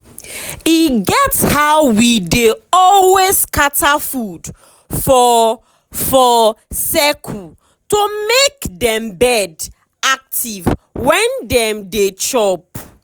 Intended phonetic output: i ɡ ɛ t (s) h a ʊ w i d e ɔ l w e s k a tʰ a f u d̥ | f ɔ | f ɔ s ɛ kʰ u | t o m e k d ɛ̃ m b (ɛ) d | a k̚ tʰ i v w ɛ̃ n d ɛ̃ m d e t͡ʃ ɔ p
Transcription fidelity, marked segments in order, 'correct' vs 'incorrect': correct, correct

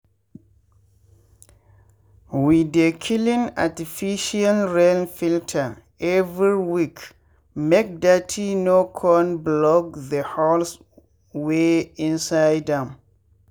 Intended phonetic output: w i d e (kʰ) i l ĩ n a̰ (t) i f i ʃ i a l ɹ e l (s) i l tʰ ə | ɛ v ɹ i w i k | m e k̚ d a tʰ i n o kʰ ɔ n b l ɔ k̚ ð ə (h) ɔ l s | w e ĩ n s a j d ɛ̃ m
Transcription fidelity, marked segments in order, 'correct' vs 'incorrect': correct, correct, incorrect, correct

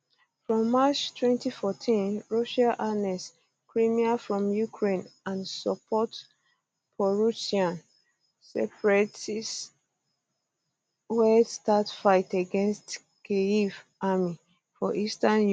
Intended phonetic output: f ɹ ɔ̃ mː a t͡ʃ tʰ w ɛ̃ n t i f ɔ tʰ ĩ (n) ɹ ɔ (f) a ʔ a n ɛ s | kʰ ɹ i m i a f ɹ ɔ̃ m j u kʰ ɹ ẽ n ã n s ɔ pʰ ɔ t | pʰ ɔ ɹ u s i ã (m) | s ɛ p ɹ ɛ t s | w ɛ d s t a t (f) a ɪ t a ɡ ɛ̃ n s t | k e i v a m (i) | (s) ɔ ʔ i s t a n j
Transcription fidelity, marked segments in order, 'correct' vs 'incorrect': correct, incorrect, incorrect, correct, correct, incorrect

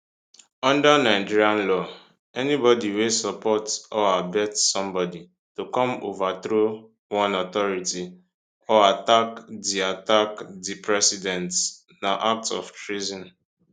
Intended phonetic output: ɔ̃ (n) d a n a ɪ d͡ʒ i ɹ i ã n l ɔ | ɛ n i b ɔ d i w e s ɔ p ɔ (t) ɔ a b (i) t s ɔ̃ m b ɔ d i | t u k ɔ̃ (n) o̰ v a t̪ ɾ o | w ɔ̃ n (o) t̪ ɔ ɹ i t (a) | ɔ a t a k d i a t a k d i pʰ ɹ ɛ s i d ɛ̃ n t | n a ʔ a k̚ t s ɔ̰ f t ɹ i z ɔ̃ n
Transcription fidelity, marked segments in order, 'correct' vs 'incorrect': correct, correct, incorrect, incorrect, incorrect, incorrect

